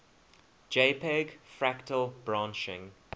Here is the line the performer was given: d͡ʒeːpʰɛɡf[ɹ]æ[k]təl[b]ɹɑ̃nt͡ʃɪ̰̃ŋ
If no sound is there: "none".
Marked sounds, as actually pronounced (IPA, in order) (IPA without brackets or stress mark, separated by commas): ɹ, k, b